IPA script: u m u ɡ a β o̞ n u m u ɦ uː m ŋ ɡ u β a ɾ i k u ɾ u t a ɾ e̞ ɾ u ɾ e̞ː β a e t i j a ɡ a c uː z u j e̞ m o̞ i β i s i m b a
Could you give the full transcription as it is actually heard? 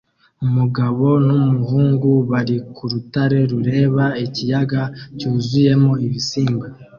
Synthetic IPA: u m u ɡ a β o̞ n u m u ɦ uː ŋ ɡ u β a ɾ i k u ɾ u t a ɾ e̞ ɾ u ɾ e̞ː β a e c i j a ɡ a c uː z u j e̞ m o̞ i β i s iː m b a